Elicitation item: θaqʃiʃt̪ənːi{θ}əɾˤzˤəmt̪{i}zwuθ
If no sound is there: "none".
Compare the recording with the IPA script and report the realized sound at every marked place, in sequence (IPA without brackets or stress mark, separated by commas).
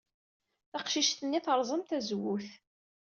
θ, æ